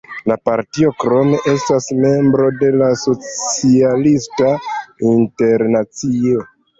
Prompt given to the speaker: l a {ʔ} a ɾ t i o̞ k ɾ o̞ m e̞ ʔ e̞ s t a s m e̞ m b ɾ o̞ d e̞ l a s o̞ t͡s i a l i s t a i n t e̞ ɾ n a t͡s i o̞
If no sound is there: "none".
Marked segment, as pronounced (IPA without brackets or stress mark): p